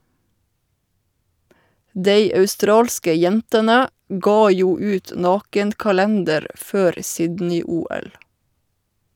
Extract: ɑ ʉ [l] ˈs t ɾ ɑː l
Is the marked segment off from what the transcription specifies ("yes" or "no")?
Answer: yes